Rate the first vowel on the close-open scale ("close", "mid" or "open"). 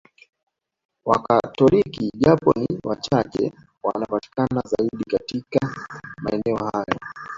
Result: open